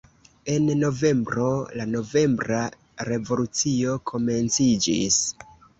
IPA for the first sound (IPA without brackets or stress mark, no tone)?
e̞